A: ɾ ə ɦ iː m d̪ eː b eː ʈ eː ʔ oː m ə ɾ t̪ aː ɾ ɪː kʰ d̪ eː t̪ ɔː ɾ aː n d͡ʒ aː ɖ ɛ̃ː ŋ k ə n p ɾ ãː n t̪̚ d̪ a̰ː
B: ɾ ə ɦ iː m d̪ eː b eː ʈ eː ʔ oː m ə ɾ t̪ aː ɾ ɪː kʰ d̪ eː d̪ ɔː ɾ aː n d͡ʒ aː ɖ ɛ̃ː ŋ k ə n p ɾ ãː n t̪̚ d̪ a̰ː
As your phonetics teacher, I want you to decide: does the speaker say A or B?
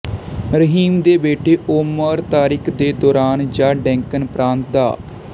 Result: B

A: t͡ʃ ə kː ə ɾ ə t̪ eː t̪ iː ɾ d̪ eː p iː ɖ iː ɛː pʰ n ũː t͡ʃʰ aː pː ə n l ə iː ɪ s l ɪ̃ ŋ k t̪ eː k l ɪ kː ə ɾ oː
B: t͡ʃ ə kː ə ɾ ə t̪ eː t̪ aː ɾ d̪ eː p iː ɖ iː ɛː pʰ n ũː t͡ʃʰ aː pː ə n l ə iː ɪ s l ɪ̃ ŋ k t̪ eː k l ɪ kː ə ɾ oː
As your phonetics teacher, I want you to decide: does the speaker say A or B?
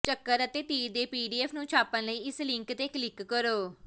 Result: A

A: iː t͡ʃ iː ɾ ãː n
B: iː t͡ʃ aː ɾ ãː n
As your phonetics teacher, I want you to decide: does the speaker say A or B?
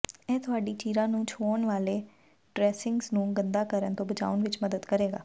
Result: A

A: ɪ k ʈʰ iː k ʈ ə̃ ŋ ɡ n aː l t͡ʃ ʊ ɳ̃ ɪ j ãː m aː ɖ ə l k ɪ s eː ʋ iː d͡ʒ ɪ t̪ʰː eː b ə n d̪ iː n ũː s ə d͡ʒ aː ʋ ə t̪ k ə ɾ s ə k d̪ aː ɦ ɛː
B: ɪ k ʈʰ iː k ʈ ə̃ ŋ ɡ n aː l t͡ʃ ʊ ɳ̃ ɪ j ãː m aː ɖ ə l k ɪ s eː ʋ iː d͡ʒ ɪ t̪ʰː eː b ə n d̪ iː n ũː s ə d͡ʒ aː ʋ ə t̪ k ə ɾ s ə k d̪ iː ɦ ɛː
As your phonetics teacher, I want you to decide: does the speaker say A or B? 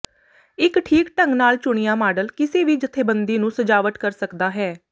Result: A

